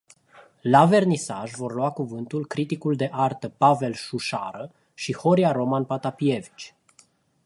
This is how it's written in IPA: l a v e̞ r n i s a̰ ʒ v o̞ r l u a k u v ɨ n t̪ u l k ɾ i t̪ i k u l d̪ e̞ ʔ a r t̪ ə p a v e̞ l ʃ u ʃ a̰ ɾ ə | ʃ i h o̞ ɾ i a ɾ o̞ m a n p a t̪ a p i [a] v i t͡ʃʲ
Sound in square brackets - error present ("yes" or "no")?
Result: yes